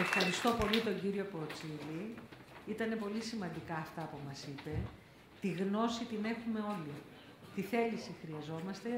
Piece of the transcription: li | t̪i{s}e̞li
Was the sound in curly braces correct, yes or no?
no